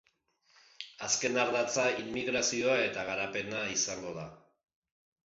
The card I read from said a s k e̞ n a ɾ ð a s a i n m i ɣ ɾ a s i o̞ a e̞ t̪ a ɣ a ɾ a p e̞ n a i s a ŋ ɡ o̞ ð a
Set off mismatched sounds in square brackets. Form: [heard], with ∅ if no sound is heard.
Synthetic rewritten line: a s k e̞ n a ɾ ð a [t͡s] a i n m i ɣ ɾ a s i o̞ a e̞ t̪ a ɣ a ɾ a p e̞ n a i s a ŋ ɡ o̞ ð a